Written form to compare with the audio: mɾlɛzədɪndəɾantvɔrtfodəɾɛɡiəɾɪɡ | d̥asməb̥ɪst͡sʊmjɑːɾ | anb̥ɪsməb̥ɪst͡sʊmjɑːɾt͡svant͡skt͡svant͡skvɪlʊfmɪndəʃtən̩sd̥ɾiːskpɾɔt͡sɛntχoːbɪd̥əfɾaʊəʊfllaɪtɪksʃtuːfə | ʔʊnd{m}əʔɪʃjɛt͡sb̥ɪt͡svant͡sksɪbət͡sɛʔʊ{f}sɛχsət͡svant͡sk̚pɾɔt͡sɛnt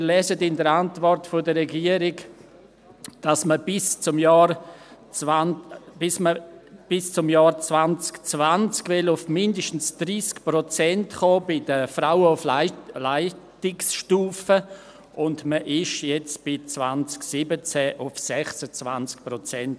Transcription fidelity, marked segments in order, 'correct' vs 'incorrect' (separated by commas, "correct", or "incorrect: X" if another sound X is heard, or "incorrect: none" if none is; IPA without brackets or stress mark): correct, correct